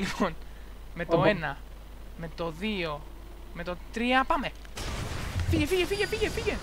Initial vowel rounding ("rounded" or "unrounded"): unrounded